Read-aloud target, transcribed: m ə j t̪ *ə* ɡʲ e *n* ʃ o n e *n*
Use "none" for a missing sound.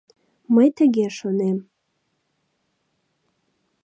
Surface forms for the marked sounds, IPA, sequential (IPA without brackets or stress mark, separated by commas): ə, none, m